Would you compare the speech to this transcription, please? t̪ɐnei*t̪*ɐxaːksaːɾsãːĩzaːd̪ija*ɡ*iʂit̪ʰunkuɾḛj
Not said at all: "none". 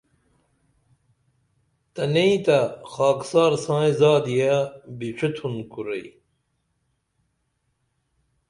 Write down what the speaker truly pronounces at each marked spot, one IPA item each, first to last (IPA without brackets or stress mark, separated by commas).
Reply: t̪, b